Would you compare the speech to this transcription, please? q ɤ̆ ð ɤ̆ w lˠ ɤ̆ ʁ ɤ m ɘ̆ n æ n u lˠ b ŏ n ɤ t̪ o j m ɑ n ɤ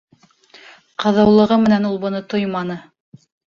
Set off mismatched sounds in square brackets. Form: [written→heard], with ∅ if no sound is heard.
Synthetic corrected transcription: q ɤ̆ ð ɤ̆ w lˠ ɤ̆ ʁ ɤ m ɘ̆ n æ n u lˠ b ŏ n ɤ t̪ o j m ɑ n ɤ

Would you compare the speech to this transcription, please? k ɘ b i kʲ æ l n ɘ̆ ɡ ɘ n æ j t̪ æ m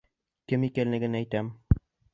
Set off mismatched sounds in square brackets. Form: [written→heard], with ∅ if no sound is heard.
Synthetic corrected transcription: k ɘ [b→m] i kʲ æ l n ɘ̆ ɡ ɘ n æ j t̪ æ m

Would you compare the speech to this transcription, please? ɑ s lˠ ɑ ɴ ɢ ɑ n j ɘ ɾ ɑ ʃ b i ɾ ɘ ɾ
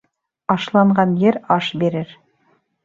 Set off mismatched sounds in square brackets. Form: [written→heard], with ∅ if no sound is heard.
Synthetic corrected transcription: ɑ [s→ʃ] lˠ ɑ ɴ ɢ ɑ n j ɘ ɾ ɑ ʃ b i ɾ ɘ ɾ

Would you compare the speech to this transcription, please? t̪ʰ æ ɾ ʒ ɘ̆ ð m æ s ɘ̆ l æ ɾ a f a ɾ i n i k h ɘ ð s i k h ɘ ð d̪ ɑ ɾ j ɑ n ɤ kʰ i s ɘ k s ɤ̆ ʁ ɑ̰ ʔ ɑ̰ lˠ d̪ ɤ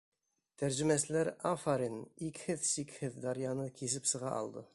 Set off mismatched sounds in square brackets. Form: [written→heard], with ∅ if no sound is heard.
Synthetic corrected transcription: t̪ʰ æ ɾ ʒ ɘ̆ [ð→∅] m æ s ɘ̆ l æ ɾ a f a ɾ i n i k h ɘ ð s i k h ɘ ð d̪ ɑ ɾ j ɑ n ɤ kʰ i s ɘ [k→p] s ɤ̆ ʁ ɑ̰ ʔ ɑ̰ lˠ d̪ ɤ

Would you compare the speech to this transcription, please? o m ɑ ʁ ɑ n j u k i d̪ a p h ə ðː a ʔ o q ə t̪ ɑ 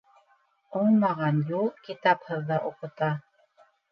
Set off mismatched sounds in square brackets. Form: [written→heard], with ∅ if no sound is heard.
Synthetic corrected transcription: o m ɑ ʁ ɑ n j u k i [d̪→t̪] a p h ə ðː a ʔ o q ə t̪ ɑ

